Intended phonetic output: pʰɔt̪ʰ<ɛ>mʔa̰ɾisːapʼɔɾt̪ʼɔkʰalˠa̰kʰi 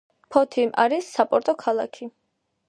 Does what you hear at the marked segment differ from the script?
yes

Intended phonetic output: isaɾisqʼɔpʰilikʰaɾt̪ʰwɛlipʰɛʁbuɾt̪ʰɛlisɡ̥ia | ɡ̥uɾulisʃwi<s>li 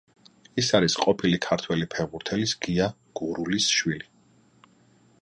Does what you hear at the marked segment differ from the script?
yes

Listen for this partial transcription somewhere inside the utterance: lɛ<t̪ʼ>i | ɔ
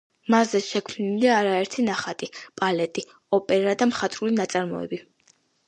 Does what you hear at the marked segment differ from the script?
no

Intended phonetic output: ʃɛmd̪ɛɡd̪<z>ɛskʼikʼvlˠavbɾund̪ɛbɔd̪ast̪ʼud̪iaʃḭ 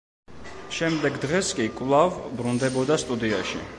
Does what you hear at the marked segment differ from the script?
yes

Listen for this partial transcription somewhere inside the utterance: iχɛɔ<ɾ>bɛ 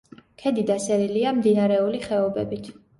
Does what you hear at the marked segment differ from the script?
yes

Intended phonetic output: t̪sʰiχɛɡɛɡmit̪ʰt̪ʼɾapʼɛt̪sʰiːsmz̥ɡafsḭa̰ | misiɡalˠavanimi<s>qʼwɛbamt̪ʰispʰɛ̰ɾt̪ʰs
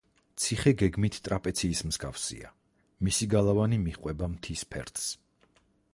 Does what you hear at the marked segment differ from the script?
yes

